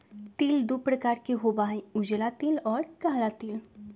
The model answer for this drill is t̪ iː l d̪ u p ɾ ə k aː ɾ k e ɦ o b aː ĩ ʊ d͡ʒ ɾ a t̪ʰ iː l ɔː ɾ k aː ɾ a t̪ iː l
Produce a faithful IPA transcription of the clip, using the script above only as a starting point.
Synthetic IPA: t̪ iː l d̪ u p ɾ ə k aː ɾ k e ɦ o b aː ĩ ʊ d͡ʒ l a t̪ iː l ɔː ɾ k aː l a t̪ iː l